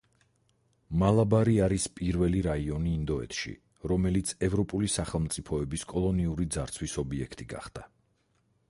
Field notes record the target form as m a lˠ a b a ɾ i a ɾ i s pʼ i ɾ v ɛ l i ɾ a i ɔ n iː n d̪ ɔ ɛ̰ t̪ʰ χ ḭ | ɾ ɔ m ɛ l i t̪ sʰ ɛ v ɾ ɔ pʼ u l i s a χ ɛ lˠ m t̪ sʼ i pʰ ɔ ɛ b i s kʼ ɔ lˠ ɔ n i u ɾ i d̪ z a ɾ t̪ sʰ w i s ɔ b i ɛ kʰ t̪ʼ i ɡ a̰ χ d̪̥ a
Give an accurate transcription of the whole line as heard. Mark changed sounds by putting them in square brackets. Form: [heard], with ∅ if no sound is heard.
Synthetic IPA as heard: m a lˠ a b a ɾ i a ɾ i s pʼ i ɾ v ɛ l i ɾ a i ɔ n iː n d̪ ɔ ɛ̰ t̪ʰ [ʃ] ḭ | ɾ ɔ m ɛ l i t̪ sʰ ɛ v ɾ ɔ pʼ u l i s a χ ɛ lˠ m t̪ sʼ i pʰ ɔ ɛ b i s kʼ ɔ lˠ ɔ n i u ɾ i d̪ z a ɾ t̪ sʰ w i s ɔ b i ɛ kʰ t̪ʼ i ɡ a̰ χ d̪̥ a